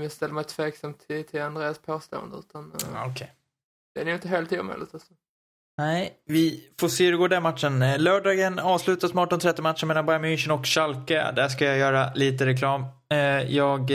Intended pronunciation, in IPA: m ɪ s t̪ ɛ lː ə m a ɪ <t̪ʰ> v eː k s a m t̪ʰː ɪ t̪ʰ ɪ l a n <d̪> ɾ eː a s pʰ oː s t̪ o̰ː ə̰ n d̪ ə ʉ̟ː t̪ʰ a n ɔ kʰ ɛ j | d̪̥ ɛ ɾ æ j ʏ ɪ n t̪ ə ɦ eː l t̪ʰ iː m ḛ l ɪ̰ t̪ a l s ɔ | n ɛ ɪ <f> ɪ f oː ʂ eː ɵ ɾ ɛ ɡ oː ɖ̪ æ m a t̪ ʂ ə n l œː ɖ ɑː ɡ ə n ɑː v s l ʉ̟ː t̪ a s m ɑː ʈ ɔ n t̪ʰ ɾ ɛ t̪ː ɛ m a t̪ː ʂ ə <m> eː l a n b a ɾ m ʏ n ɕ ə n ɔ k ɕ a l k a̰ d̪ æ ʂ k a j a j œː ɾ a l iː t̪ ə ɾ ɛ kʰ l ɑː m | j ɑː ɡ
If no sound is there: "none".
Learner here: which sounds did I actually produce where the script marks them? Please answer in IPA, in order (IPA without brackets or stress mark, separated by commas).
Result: t̪ʰ, d̪, v, m